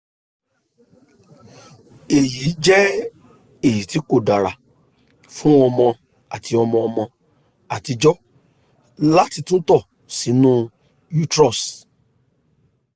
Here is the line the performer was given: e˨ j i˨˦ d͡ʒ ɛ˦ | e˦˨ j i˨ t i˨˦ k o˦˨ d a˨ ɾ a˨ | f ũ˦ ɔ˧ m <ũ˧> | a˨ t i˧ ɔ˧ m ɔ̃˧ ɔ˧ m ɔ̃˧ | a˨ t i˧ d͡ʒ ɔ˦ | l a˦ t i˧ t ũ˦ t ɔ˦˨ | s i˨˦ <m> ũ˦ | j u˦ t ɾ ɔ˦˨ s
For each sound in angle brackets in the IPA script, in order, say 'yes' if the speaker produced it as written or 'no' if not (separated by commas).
no, no